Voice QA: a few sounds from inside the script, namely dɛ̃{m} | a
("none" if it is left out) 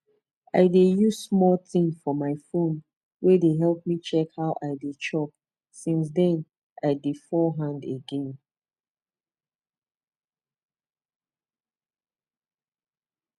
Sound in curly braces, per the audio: n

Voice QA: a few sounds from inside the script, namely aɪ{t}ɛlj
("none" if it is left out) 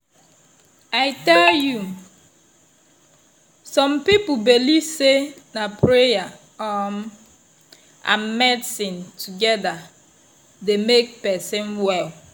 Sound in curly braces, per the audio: t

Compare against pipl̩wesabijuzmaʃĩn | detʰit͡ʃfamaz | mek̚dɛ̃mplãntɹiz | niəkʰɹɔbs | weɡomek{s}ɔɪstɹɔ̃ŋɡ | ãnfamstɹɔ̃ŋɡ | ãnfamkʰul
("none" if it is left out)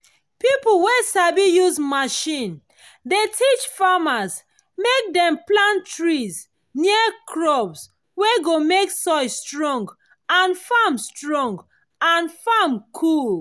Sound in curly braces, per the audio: s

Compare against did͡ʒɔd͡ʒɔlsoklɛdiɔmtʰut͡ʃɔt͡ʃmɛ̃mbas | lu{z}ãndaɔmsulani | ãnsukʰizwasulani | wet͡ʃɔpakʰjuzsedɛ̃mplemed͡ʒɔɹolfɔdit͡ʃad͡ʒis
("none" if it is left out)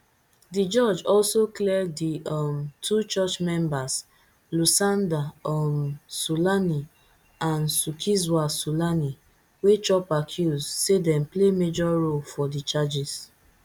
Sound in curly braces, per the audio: s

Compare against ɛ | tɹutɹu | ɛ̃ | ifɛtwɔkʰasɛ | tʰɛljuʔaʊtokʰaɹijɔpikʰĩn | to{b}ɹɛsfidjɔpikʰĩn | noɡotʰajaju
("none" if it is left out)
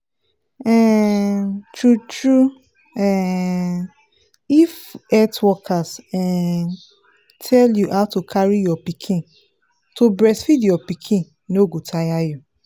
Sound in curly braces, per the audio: b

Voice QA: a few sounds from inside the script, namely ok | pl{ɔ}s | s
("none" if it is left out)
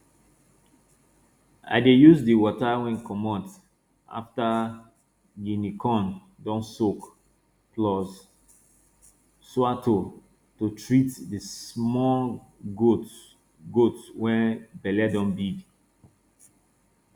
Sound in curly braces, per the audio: ɔ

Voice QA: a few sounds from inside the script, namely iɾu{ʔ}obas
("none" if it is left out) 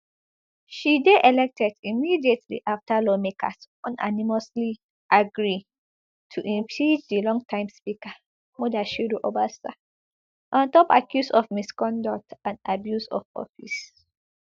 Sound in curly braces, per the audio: ʔ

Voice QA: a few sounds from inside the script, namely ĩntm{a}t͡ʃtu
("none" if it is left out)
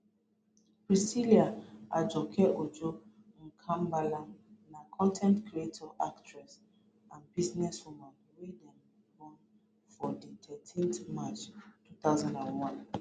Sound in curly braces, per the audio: a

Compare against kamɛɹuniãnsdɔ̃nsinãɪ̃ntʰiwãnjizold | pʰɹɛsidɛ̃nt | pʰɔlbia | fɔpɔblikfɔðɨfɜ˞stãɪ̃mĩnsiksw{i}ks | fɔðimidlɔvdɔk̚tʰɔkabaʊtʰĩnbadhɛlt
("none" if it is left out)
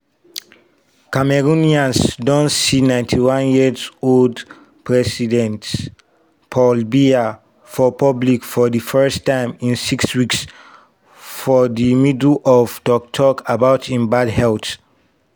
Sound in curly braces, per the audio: i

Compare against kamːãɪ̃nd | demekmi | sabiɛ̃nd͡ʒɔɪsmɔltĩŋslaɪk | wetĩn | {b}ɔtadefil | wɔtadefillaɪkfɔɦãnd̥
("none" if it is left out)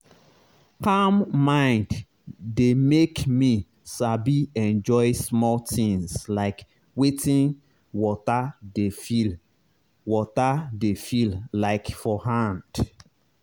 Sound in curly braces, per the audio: w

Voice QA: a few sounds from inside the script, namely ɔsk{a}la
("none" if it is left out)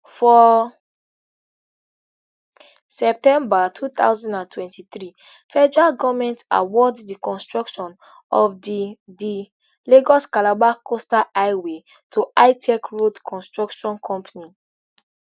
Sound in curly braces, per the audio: a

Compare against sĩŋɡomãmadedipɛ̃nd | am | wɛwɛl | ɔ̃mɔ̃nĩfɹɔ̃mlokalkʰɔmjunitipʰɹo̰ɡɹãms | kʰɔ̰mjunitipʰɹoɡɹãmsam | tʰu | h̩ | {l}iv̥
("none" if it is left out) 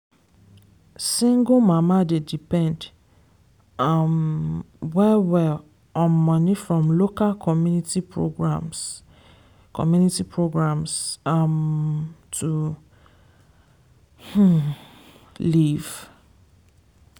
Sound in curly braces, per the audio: l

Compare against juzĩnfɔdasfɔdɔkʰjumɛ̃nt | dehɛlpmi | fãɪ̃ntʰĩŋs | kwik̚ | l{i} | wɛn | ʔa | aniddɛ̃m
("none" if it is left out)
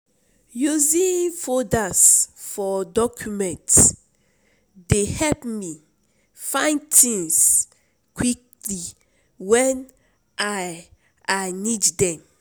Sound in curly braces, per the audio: i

